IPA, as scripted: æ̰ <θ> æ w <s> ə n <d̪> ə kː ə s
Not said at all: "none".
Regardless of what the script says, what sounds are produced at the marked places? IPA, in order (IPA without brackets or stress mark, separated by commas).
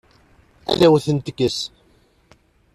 ð, θ, t̪